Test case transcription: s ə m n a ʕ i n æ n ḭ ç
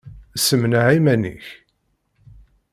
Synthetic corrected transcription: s ə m n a ʕ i m æ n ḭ ç